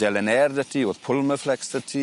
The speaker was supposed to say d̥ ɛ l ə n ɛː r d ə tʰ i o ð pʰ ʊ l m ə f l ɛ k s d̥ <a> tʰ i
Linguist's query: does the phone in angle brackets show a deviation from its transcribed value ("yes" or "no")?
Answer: yes